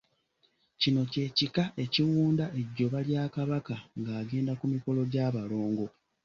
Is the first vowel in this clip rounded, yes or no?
no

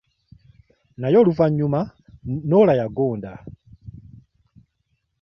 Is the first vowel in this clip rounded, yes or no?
no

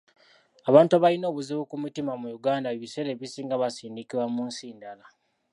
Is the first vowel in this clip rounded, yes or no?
no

